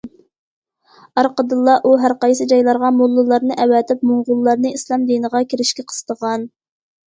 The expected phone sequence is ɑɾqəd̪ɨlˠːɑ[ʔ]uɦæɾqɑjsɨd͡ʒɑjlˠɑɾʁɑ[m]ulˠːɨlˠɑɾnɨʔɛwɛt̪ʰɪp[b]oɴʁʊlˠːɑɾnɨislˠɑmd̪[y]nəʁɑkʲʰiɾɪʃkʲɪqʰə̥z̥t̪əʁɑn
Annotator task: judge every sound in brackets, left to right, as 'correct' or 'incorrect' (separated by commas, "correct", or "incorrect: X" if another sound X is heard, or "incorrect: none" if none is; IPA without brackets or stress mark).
correct, correct, incorrect: m, incorrect: i